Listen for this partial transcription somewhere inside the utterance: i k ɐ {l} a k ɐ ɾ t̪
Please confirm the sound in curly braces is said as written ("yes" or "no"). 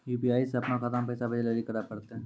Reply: no